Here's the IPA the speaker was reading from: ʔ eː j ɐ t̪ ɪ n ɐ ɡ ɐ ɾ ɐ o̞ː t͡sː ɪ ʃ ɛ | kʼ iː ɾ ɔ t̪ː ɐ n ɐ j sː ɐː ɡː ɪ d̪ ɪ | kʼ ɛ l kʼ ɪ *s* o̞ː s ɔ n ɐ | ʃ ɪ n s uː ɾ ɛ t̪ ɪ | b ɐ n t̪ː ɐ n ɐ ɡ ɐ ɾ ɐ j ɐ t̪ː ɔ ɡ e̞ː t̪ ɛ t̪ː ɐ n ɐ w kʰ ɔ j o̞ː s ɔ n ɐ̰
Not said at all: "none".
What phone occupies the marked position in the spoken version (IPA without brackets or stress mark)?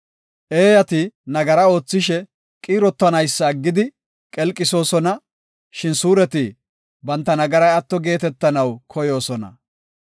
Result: s